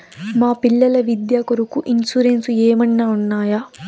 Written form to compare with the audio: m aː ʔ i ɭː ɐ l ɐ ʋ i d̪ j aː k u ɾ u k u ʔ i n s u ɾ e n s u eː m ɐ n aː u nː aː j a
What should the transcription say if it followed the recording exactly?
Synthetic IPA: m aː p i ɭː ɐ l ɐ ʋ i d̪ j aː k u ɾ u k u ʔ i n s u ɾ e n s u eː m ɐ nː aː u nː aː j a